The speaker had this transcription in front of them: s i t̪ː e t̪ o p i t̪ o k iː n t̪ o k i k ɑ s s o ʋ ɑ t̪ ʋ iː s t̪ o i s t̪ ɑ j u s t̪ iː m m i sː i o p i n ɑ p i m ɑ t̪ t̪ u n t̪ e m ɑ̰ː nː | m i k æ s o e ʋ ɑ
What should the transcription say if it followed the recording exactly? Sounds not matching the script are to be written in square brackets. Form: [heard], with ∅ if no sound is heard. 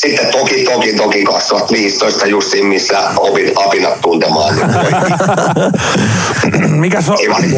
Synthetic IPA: s i t̪ː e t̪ o [k] i t̪ o k [i] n t̪ o k i k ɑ s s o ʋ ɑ t̪ ʋ iː s t̪ o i s t̪ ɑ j u s t̪ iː m m i sː [æ] o p i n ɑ p i [n] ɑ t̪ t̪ u n t̪ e m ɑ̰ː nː | m i k æ s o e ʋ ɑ